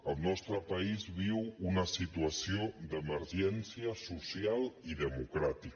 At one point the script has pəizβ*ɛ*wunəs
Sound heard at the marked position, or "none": i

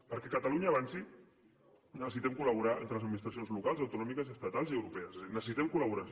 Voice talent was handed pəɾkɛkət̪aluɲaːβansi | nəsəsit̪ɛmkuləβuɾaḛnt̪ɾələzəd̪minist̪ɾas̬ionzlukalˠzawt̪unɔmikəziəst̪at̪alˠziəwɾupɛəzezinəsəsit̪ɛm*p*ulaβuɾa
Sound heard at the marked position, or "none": k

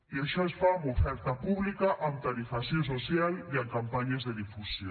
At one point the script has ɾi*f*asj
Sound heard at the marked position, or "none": f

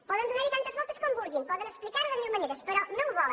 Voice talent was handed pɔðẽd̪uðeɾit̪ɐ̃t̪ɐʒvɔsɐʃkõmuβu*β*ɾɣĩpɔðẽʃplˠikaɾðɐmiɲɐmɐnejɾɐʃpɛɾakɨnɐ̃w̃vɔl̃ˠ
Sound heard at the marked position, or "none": none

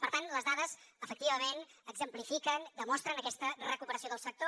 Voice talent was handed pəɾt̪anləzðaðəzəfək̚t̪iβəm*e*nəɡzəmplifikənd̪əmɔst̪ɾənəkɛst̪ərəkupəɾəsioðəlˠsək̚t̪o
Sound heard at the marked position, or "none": e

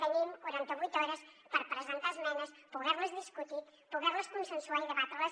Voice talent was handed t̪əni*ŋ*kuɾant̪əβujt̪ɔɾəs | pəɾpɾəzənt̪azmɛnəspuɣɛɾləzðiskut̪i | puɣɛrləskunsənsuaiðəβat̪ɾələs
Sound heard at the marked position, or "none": m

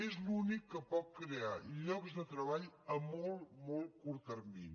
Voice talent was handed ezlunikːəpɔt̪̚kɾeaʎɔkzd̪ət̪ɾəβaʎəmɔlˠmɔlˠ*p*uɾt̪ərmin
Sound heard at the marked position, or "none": k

